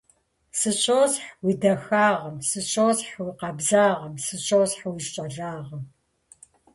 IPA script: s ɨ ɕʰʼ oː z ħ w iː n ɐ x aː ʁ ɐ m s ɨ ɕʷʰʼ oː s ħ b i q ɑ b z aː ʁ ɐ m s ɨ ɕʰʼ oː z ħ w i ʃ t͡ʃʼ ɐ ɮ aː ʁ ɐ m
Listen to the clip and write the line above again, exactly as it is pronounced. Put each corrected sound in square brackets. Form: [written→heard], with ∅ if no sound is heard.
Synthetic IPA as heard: s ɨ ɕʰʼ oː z ħ w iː [n→d] ɐ x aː ʁ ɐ m s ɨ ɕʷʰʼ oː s ħ [b→w] i q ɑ b z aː ʁ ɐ m s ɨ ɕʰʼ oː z ħ w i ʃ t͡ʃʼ ɐ ɮ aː ʁ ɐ m